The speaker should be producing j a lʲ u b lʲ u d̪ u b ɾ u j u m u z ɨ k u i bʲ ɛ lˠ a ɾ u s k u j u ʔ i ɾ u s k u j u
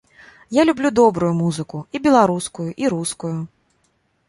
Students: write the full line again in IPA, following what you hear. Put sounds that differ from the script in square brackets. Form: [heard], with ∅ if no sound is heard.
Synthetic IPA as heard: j a lʲ u b lʲ u d̪ [ɔ] b ɾ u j u m u z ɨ k u i bʲ ɛ lˠ a ɾ u s k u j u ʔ i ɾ u s k u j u